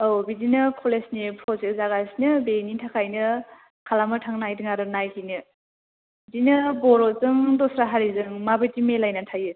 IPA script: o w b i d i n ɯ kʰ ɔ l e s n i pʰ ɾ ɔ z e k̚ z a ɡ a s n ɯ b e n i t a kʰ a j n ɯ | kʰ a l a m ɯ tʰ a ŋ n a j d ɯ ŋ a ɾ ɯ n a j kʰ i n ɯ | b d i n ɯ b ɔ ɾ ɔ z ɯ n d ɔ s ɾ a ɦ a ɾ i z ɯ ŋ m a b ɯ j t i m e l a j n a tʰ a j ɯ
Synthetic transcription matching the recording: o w b i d i n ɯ kʰ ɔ l e s n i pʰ ɾ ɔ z e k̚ z a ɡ a s n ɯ b e n i tʰ a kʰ a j n ɯ | kʰ a l a m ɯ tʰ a ŋ n a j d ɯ ŋ a ɾ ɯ n a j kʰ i n ɯ | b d i n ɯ b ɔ ɾ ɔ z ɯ ŋ d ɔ s ɾ a ɦ a ɾ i z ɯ ŋ m a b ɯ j t i m e l a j n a tʰ a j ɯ